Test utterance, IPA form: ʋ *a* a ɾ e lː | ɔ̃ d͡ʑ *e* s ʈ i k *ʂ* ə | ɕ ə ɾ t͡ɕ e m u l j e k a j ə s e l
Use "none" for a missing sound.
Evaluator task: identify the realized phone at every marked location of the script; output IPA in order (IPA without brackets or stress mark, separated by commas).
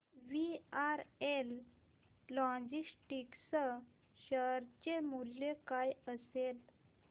i, i, s